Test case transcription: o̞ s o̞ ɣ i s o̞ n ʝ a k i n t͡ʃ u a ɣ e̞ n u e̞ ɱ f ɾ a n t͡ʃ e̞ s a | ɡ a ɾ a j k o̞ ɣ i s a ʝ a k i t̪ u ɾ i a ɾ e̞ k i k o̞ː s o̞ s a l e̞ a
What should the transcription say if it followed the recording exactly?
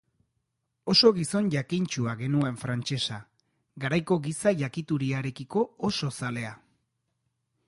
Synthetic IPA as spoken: o̞ s o̞ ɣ i s o̞ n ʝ a k i n t͡ʃ u a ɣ e̞ n u e̞ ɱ f ɾ a n t͡ʃ e̞ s a | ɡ a ɾ a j k o̞ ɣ i s a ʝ a k i t̪ u ɾ i a ɾ e̞ k i k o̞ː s o̞ s a l e̞ a